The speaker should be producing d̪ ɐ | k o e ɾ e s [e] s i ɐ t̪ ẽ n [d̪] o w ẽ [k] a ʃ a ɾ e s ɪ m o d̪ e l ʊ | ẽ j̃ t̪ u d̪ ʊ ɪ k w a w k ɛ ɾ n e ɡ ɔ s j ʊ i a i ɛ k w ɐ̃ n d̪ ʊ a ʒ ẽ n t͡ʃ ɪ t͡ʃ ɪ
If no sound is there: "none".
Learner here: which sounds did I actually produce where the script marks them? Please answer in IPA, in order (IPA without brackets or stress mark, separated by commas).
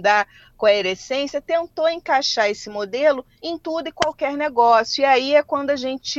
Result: ẽ, t̪, k